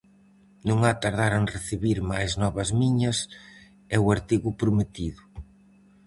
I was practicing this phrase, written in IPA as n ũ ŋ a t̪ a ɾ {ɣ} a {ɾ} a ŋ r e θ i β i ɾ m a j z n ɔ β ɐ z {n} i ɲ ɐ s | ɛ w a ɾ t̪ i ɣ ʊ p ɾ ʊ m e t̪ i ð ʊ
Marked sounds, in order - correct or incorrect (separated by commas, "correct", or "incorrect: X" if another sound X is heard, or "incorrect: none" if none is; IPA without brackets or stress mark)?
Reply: incorrect: ð, correct, incorrect: m